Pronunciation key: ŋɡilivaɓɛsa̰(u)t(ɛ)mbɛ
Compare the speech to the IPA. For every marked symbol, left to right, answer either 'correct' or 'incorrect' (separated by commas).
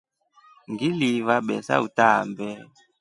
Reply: correct, incorrect